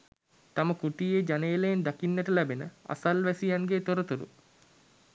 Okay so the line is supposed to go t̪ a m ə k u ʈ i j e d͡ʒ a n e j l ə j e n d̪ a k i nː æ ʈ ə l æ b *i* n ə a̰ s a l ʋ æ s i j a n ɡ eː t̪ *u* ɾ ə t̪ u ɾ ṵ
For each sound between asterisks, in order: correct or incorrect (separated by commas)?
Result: incorrect, incorrect